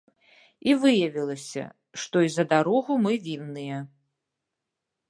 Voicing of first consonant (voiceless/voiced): voiced